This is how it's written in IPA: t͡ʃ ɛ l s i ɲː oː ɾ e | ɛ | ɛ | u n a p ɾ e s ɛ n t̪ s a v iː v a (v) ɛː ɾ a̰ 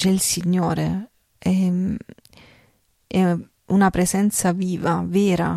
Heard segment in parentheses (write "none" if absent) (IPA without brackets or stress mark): v